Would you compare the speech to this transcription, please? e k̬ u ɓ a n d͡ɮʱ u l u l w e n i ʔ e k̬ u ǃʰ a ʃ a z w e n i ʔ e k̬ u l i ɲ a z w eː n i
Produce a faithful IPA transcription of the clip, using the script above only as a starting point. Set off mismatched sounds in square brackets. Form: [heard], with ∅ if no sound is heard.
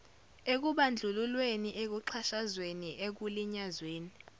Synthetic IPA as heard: e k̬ u ɓ a n d͡ɮʱ u l u l w e n i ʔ e k̬ u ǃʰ a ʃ a z w e n i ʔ e k̬ u l i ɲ a z w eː n i